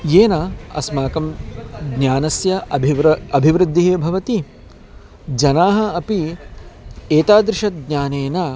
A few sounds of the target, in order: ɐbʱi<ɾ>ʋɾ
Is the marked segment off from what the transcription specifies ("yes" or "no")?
yes